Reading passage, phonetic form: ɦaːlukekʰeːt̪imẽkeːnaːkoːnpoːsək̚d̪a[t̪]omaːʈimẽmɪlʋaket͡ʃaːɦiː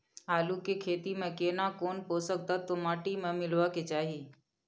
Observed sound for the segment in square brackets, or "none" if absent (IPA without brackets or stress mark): t̪